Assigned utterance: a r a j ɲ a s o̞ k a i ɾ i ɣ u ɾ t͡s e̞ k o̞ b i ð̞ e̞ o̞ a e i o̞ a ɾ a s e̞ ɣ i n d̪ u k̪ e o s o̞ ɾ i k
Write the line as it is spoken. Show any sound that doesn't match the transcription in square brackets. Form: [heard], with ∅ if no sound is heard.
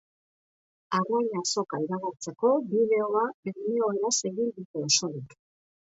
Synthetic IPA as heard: a r a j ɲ a s o̞ k a i ɾ [a] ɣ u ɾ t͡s e̞ k o̞ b i ð̞ e̞ o̞ a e i o̞ [e] ɾ a s e̞ ɣ i n d̪ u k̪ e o s o̞ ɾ i k